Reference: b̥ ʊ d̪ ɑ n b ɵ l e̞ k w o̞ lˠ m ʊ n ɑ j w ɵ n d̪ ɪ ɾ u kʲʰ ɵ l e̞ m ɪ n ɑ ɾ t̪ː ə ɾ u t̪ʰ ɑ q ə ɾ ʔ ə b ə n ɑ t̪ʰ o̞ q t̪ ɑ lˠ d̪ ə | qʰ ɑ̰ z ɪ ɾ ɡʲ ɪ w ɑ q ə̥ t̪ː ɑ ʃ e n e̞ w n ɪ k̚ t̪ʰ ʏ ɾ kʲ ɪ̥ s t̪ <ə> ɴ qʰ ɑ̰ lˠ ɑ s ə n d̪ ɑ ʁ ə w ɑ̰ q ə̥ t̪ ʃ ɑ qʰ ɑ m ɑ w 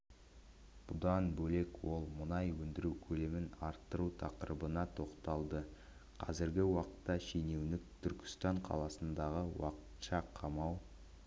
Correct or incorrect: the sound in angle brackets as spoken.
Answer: incorrect: ɑ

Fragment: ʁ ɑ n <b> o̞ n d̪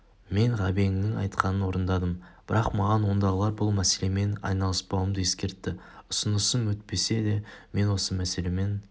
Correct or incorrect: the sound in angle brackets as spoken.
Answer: incorrect: w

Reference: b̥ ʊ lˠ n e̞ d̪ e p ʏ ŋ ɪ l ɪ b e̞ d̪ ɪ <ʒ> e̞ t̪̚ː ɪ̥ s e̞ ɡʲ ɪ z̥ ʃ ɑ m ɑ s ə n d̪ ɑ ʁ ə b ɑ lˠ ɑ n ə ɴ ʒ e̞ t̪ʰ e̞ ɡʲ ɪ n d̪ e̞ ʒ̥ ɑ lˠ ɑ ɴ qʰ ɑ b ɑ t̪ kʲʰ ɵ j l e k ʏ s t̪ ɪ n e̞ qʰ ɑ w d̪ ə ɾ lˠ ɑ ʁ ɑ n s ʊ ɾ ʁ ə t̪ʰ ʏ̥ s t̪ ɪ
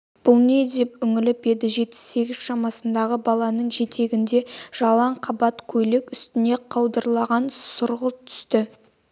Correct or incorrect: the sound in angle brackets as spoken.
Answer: correct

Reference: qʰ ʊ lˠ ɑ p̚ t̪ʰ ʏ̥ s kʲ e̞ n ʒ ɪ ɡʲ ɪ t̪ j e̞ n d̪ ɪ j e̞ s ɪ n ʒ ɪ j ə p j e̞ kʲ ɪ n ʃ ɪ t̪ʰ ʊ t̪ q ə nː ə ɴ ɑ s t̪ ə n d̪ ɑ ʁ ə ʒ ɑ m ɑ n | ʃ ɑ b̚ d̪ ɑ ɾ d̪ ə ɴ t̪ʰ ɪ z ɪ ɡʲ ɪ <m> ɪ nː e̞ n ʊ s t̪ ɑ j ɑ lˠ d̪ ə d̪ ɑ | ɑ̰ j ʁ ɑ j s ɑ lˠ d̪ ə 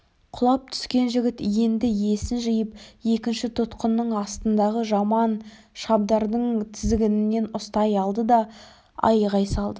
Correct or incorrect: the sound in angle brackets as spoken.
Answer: incorrect: n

